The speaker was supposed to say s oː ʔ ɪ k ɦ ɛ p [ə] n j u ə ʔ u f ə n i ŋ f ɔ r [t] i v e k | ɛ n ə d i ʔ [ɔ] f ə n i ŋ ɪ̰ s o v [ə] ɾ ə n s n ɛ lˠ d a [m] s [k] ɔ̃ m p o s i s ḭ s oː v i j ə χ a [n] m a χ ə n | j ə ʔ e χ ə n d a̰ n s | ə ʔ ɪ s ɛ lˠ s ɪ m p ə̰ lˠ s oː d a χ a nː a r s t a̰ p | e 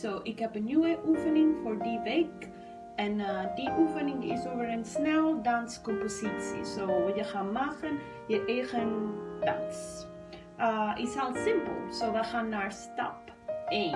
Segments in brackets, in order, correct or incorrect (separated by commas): correct, incorrect, incorrect, correct, incorrect, correct, correct